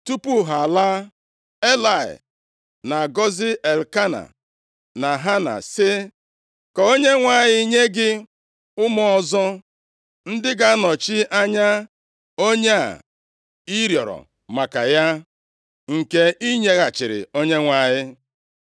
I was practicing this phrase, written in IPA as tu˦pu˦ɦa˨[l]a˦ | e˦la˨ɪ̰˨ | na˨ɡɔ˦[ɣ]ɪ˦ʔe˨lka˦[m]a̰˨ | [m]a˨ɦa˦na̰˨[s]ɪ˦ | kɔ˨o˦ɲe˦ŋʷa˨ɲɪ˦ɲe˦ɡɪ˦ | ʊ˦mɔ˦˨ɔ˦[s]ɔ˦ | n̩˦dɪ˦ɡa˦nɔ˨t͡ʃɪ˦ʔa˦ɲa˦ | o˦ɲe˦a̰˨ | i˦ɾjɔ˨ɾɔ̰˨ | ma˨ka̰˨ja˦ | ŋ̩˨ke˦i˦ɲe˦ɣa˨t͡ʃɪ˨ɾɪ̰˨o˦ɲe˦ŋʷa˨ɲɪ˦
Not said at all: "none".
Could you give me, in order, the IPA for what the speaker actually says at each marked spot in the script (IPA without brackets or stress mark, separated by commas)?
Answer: l, z, n, n, s, z